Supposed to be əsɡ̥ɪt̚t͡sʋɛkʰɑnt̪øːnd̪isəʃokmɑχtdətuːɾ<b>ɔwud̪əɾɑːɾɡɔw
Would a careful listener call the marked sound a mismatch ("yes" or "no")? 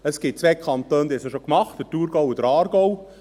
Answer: yes